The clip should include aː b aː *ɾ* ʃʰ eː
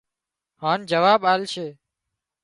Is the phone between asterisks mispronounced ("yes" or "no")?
yes